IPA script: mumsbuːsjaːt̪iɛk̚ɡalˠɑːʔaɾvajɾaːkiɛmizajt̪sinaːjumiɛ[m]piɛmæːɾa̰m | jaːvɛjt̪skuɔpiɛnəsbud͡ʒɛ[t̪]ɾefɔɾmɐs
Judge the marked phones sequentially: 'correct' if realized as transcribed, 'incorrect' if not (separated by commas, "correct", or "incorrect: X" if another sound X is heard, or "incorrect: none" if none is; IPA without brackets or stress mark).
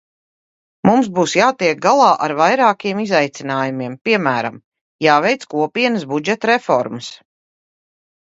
correct, correct